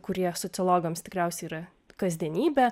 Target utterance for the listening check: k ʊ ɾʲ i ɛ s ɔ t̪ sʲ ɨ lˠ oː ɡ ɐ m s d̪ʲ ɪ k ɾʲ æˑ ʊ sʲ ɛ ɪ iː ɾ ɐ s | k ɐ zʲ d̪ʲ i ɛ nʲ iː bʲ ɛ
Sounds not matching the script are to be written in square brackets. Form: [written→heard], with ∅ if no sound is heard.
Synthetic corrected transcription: k ʊ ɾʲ i ɛ s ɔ t̪ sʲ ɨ lˠ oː ɡ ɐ m s [d̪ʲ→t̪ʲ] ɪ k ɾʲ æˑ ʊ sʲ ɛ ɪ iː ɾ ɐ [s→∅] | k ɐ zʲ d̪ʲ i ɛ nʲ iː bʲ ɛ